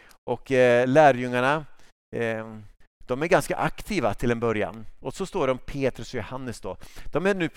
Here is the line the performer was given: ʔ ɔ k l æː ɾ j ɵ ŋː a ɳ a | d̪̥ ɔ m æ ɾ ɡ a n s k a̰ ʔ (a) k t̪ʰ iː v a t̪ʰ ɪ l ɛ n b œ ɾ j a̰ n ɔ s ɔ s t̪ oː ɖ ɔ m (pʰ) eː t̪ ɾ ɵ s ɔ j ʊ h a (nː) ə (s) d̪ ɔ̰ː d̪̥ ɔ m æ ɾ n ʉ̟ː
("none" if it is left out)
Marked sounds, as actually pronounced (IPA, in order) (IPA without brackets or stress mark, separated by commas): a, pʰ, nː, s